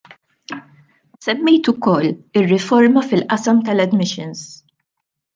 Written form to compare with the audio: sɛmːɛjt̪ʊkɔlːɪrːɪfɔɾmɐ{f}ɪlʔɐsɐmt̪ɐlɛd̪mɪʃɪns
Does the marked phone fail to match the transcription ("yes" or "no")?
no